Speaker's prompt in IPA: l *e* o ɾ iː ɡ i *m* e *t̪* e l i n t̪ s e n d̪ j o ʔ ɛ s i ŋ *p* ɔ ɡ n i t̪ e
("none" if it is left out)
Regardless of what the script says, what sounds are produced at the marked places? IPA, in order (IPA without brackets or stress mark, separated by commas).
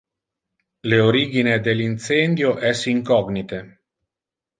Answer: e, n, d̪, k